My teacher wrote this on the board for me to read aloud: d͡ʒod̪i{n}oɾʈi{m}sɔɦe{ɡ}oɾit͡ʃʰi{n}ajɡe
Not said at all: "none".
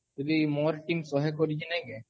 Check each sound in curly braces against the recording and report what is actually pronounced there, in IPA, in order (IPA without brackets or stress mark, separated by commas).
m, m, k, n